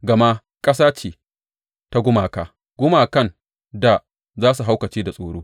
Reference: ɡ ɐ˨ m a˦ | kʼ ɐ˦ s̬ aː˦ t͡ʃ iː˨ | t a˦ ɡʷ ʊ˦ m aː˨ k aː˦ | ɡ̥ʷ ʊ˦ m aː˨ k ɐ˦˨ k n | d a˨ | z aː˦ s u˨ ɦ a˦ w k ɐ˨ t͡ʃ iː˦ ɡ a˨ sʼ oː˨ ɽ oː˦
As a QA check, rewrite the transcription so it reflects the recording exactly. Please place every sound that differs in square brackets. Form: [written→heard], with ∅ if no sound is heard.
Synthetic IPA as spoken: ɡ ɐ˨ m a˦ | kʼ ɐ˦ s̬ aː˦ t͡ʃ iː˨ | t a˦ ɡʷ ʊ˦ m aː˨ k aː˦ | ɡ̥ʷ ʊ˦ m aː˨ k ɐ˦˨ [k→∅] n | d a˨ | z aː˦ s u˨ ɦ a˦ w k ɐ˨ t͡ʃ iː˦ [ɡ→d] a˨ sʼ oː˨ ɽ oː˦